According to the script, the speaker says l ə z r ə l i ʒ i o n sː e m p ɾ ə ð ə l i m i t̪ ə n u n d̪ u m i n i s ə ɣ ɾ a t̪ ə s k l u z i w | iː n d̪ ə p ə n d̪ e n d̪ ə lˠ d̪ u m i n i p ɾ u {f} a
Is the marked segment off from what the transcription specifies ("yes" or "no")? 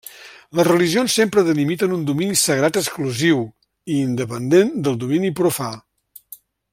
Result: no